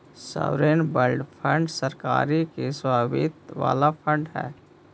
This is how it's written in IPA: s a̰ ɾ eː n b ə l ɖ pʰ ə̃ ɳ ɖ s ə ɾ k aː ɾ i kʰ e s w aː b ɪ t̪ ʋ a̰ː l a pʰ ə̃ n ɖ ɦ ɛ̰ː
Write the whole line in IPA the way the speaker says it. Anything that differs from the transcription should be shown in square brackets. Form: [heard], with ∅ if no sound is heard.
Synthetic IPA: s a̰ ɾ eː n b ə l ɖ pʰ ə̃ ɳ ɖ s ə ɾ k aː ɾ i [k] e s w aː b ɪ t̪ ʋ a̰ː l a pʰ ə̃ [ɳ] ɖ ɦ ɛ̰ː